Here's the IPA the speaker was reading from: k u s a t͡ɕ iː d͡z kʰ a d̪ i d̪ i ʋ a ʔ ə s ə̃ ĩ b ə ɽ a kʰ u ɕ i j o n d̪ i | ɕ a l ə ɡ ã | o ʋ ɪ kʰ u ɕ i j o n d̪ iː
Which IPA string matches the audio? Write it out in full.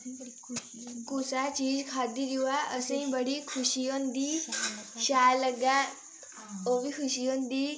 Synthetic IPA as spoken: k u s a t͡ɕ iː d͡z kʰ a d̪ i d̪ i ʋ a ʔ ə s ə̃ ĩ b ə ɽ i kʰ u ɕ i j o n d̪ i | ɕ a l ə ɡ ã | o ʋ i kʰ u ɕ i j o n d̪ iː